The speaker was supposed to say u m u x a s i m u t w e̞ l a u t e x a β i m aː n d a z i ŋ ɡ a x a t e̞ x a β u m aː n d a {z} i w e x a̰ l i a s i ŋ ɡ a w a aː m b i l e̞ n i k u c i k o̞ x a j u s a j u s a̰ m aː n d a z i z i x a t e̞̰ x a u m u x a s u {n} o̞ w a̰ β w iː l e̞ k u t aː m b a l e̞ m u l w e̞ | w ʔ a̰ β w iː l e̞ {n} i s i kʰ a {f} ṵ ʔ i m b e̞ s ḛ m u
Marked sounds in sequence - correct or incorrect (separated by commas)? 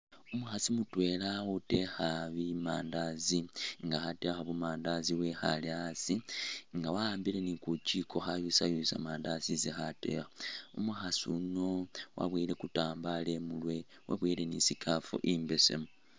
correct, correct, correct, correct